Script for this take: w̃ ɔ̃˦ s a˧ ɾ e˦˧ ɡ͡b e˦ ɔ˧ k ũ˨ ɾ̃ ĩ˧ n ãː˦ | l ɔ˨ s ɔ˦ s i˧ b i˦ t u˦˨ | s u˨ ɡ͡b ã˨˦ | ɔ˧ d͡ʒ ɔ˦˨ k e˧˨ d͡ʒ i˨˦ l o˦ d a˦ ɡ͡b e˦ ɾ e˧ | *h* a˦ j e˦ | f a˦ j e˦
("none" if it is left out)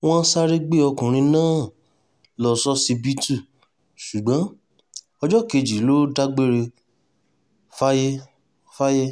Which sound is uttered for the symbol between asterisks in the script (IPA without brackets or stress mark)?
f